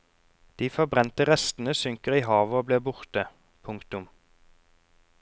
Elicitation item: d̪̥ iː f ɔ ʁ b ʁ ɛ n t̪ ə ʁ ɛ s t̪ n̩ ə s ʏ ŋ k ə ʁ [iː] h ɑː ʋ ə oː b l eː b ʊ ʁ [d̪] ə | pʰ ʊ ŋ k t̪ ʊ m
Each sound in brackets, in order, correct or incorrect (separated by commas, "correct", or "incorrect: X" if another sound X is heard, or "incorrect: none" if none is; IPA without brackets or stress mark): correct, incorrect: t̪